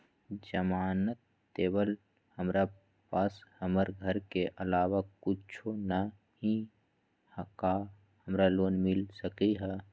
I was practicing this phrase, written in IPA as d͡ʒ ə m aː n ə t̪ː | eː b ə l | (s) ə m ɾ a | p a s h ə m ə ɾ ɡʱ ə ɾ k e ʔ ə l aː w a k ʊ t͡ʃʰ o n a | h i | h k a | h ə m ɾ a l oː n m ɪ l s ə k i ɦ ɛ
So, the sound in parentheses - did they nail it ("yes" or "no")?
no